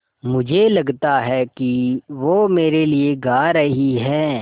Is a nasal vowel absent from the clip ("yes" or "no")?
yes